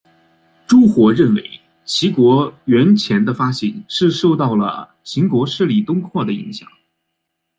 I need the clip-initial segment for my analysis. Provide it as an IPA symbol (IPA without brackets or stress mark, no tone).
ʈ͡ʂ